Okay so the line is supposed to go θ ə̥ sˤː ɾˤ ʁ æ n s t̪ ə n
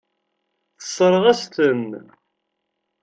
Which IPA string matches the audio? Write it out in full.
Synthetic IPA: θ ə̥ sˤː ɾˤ ʁ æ s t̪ ə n